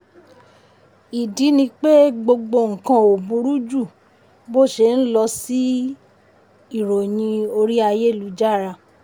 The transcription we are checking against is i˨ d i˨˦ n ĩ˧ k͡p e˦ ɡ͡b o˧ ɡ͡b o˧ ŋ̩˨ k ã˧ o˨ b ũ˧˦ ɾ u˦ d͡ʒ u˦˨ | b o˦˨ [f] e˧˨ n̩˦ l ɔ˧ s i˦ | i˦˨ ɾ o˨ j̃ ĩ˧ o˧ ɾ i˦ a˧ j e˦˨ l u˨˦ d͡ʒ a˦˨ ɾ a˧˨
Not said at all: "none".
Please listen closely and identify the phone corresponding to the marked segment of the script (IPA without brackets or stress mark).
ʃ